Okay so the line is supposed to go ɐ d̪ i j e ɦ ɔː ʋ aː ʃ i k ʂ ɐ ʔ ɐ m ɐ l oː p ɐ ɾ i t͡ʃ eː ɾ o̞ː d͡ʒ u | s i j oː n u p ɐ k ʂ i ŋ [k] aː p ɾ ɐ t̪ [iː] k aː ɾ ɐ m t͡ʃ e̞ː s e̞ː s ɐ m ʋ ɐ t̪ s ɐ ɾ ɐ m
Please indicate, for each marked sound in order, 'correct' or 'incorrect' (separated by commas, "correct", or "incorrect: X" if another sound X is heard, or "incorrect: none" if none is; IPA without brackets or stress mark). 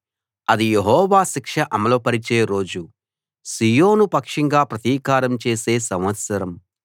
incorrect: ɡ, correct